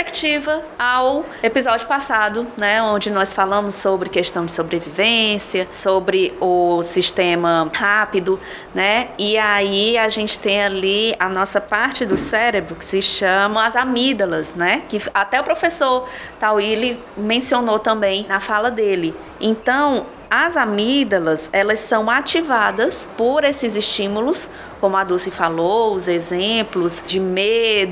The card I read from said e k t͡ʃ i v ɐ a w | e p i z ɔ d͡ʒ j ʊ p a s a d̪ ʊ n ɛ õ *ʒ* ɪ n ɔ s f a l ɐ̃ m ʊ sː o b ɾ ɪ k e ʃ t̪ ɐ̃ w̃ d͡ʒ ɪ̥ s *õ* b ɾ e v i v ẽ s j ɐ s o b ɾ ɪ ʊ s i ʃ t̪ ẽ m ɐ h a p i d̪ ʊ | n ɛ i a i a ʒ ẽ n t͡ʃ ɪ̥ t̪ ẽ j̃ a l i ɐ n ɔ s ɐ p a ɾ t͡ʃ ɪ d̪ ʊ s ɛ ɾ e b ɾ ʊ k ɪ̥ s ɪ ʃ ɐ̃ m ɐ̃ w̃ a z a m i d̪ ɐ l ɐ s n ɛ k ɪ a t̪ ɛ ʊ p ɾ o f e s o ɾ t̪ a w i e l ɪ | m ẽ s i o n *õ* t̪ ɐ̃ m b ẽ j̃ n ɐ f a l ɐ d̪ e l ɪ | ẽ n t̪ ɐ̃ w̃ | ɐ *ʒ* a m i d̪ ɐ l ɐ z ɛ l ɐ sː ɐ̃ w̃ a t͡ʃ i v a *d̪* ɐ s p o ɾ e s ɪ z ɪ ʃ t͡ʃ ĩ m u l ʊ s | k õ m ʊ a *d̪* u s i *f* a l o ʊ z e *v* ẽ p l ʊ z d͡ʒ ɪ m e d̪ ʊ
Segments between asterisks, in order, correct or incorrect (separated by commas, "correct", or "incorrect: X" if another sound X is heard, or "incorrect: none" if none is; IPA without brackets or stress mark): incorrect: d͡ʒ, incorrect: o, incorrect: o, incorrect: z, correct, correct, correct, incorrect: z